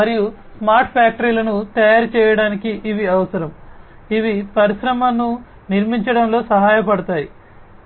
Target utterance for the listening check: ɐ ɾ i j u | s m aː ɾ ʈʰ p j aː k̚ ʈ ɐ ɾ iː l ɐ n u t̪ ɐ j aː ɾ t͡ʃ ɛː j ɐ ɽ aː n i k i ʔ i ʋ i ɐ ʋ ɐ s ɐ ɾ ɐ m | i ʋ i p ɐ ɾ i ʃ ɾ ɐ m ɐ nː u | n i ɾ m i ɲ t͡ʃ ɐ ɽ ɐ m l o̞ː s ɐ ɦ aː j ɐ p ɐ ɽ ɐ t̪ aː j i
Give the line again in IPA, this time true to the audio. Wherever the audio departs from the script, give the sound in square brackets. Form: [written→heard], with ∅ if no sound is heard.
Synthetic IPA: ɐ ɾ i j u | s m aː ɾ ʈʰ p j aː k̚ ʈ ɐ ɾ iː l ɐ n u t̪ ɐ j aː ɾ t͡ʃ ɛː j ɐ ɽ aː n i k i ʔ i ʋ i ɐ ʋ ɐ s ɐ ɾ ɐ m | i ʋ i p ɐ ɾ i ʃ ɾ ɐ m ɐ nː u | n i ɾ m i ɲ t͡ʃ ɐ ɽ ɐ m l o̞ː s ɐ ɦ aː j ɐ p ɐ ɽ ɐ t̪ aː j i